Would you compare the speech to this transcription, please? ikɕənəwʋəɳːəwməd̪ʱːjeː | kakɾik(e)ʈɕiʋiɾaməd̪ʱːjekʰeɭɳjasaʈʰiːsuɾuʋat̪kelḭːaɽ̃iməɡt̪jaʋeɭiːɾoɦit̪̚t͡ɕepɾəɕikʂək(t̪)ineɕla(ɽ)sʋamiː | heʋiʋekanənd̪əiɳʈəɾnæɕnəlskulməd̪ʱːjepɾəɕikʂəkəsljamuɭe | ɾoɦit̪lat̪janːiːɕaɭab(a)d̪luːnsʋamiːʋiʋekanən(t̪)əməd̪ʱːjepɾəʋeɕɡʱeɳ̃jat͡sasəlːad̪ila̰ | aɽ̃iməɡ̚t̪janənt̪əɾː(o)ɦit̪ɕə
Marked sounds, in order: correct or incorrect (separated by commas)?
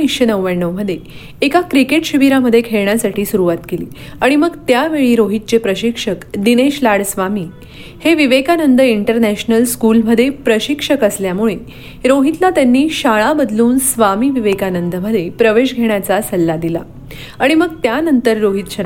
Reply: correct, incorrect, correct, incorrect, incorrect, correct